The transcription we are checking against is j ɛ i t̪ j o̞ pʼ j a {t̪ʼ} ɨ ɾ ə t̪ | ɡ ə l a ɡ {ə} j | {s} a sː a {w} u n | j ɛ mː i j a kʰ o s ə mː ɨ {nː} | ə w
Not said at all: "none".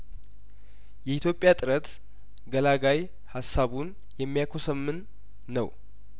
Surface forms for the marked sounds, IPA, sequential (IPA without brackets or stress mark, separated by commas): t̪ʼ, a, h, β, nː